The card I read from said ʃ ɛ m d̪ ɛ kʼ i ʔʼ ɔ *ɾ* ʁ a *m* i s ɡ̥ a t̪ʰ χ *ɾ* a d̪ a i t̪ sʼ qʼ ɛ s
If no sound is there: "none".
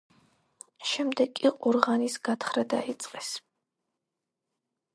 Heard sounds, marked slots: ɾ, n, ɾ

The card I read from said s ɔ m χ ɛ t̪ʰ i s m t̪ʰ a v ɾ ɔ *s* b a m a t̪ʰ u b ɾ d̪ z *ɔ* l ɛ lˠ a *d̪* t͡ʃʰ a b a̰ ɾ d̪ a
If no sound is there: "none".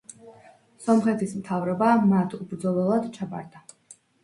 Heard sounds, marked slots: none, ɔ, d̪

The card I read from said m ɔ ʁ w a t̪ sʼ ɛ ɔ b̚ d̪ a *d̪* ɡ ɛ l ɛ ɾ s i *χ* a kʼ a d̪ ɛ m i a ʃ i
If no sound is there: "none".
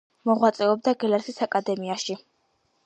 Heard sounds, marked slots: none, s

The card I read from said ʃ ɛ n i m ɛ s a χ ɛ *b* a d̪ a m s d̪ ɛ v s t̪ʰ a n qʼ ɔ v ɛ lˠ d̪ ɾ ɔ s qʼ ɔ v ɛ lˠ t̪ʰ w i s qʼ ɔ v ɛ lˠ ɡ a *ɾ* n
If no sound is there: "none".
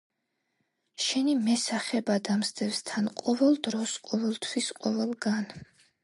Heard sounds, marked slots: b, none

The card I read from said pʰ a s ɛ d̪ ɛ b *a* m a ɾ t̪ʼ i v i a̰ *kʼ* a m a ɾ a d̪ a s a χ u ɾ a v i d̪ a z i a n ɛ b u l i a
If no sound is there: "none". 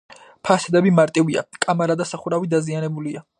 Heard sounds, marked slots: i, kʼ

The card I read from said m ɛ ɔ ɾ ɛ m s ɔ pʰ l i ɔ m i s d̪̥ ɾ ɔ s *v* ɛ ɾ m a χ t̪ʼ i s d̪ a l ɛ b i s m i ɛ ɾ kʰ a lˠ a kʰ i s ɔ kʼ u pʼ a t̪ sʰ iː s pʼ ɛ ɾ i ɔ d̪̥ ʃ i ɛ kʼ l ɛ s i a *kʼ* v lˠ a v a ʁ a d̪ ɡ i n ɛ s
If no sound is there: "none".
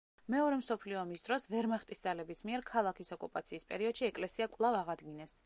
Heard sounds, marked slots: v, kʼ

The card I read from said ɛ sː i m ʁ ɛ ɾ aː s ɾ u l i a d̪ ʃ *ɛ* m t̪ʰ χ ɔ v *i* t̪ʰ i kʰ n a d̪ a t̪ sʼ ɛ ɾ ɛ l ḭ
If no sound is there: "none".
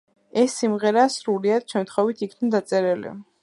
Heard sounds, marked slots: ɛ, i

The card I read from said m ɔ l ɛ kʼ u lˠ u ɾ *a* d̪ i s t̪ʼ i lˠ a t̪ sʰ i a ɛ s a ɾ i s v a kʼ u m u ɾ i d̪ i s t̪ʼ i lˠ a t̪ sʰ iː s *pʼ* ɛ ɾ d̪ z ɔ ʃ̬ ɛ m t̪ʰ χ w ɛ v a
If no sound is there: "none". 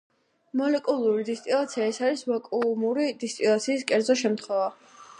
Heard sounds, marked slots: i, kʼ

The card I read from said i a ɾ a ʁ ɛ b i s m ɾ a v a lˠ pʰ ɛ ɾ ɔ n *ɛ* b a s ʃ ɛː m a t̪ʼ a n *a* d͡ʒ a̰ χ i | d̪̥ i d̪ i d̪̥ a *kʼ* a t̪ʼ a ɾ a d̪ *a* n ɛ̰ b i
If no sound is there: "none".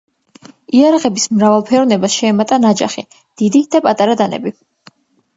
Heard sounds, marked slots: ɛ, a, pʼ, a

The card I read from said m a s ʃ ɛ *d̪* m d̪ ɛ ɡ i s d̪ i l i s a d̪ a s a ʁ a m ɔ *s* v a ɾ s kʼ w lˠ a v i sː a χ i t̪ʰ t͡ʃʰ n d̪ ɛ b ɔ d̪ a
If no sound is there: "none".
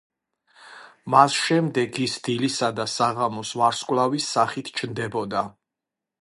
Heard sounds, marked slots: none, s

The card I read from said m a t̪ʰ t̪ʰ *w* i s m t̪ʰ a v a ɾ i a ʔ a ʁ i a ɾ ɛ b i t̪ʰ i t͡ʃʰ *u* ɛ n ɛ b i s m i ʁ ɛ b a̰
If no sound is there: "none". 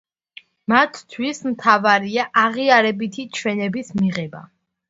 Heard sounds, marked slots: w, w

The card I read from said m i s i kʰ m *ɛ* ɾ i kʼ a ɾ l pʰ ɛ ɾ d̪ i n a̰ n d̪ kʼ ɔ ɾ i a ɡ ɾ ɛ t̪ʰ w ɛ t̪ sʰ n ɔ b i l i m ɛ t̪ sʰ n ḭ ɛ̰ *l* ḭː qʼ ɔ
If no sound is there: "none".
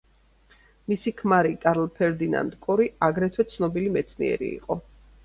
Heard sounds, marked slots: a, ɾ

